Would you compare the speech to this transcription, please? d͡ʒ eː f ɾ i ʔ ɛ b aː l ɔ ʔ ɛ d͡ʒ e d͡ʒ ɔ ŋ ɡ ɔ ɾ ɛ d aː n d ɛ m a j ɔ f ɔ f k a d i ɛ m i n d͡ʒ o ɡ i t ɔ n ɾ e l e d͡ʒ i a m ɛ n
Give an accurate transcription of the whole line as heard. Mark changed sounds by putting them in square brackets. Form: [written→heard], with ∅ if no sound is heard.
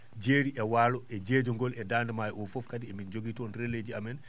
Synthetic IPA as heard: d͡ʒ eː [f→∅] ɾ i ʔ ɛ [b→w] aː l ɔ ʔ ɛ d͡ʒ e d͡ʒ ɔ ŋ ɡ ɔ [ɾ→l] ɛ d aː n d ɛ m a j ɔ f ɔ f k a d i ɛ m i n d͡ʒ o ɡ i t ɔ n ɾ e l e d͡ʒ i a m ɛ n